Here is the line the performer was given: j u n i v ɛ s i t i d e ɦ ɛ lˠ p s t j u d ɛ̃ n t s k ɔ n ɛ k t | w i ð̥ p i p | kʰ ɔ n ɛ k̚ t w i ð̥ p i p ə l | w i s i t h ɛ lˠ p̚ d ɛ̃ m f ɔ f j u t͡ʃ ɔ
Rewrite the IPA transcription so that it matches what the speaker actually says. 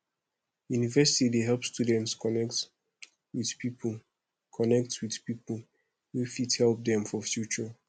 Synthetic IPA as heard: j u n i v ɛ s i t i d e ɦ ɛ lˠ p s t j u d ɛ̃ n t s k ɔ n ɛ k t | w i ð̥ p i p | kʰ ɔ n ɛ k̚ t w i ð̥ p i p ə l | w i f i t h ɛ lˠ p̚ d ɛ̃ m f ɔ f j u t͡ʃ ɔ